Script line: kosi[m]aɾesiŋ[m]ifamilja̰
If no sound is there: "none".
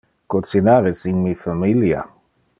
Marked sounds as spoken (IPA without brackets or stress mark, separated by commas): n, m